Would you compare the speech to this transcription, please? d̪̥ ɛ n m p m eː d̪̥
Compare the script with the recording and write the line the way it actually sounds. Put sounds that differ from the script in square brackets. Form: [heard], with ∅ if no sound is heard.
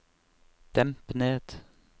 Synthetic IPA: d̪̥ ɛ [∅] m p [n] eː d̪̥